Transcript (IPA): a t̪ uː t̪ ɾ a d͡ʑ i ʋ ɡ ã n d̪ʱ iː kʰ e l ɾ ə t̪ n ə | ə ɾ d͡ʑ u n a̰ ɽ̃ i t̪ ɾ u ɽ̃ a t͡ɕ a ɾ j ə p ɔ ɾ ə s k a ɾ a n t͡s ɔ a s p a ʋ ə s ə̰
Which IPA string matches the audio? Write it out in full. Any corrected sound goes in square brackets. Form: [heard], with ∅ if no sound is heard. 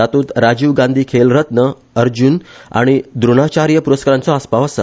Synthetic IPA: a t̪ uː t̪ ɾ a d͡ʑ i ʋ ɡ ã n d̪ʱ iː kʰ e l ɾ ə t̪ n ə | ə ɾ d͡ʑ u n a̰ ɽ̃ i [d̪] ɾ u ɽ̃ a t͡ɕ a ɾ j ə p [u] ɾ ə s k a ɾ a n t͡s ɔ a s p a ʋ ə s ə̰